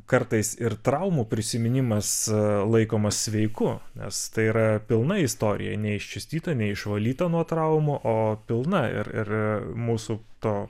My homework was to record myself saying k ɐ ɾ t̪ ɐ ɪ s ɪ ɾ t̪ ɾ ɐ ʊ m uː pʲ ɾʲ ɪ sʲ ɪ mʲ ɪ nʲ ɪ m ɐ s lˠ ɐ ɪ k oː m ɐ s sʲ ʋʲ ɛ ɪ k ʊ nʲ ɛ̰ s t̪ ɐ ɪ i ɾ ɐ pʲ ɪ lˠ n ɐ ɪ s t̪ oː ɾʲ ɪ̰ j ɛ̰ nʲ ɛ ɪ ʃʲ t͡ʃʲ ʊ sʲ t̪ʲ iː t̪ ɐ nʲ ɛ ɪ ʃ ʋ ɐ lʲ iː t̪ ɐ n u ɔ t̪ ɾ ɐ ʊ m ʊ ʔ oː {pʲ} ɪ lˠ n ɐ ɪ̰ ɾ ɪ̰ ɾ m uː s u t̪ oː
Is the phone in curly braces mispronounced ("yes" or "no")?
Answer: no